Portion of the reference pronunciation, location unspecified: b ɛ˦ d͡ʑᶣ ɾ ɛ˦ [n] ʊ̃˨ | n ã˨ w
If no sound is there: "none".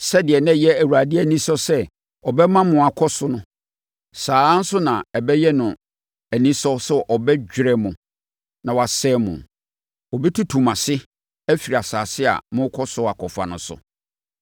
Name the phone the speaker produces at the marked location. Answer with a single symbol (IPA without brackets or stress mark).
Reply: m